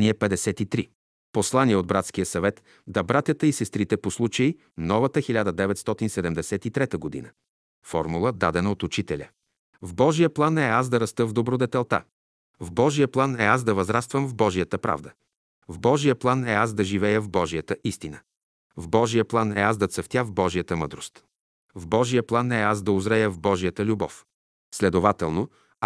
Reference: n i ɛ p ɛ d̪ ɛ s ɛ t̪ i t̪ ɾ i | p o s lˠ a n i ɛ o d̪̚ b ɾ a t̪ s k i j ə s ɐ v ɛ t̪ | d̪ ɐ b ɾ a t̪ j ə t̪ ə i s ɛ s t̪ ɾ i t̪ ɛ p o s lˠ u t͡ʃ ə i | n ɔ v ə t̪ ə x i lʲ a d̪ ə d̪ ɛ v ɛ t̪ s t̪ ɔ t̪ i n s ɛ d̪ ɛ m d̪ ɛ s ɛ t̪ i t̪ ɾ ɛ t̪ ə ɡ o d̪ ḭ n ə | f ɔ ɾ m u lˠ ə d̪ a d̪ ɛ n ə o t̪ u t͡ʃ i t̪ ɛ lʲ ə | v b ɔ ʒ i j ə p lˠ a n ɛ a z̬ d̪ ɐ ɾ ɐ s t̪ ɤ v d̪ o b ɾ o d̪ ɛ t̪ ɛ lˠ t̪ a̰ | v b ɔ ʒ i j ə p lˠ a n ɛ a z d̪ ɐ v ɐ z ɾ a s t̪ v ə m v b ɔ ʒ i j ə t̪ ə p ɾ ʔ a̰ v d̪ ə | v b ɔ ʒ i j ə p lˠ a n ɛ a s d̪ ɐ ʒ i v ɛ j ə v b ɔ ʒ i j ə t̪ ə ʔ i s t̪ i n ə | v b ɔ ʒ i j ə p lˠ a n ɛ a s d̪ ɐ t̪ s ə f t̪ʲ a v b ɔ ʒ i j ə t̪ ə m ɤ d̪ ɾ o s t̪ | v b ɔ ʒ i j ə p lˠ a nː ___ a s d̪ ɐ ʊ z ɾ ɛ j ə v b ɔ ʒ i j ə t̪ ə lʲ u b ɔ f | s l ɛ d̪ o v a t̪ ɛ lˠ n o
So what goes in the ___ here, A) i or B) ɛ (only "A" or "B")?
B